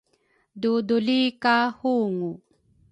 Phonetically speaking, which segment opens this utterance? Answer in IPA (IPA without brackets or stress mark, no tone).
d